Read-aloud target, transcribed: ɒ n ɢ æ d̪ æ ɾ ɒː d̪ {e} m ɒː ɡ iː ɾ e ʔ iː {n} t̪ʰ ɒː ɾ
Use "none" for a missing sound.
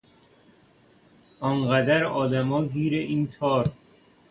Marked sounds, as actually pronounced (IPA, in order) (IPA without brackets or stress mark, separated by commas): æ, n